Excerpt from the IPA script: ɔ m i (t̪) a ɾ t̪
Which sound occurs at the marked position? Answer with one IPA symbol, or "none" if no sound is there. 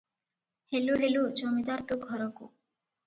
d̪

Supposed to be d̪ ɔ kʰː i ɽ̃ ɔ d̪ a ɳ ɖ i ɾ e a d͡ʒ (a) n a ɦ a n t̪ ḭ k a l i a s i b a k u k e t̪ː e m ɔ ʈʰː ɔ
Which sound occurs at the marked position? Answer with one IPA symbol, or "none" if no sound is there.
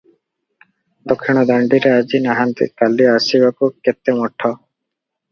i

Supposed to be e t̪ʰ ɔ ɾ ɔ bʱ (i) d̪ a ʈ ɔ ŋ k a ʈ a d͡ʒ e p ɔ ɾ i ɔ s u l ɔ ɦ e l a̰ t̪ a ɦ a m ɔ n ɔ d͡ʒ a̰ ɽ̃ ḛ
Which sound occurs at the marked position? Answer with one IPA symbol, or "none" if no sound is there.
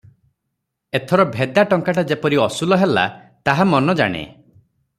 e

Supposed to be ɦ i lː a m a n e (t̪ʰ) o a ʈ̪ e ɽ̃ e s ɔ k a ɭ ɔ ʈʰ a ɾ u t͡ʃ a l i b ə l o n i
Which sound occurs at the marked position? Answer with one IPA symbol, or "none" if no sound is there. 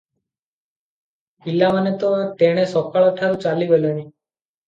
t̪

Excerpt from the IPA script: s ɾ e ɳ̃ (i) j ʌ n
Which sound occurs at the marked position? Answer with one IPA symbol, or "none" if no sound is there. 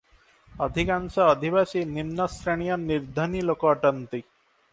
i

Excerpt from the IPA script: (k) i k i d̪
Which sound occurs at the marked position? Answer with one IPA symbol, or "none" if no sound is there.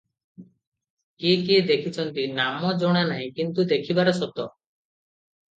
k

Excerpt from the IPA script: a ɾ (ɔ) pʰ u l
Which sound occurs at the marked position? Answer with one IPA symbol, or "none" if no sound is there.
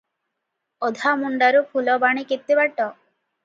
u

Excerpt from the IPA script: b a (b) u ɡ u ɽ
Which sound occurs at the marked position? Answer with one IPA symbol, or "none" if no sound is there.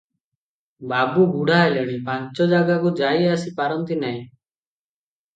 b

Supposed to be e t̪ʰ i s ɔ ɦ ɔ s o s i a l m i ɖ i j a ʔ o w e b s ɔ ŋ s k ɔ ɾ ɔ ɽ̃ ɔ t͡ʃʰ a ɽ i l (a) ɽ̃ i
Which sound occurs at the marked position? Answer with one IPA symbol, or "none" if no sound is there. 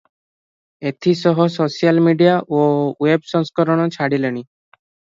e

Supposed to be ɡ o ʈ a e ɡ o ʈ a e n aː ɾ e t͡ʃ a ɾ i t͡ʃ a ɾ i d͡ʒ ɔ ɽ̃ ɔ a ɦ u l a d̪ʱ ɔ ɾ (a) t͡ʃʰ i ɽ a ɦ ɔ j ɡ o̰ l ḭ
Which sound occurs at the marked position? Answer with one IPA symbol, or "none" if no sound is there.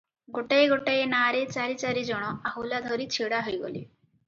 i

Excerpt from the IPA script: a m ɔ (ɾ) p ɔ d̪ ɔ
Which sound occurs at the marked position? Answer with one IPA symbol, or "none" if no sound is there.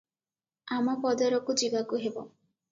none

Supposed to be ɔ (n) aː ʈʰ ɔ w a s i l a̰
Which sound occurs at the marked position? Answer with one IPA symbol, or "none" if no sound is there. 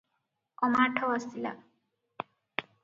m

